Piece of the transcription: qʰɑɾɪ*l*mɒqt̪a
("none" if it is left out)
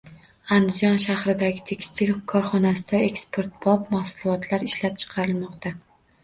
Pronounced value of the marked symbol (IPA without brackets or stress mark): l